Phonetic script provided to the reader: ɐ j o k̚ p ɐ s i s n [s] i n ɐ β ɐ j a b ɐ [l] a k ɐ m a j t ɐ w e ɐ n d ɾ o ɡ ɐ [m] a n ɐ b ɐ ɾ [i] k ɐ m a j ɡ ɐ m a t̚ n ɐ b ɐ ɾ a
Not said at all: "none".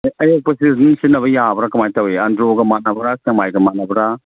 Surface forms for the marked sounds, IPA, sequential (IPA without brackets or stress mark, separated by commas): s, ɾ, m, a